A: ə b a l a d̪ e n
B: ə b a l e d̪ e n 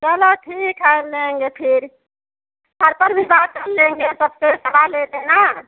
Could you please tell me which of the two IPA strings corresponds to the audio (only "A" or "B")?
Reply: B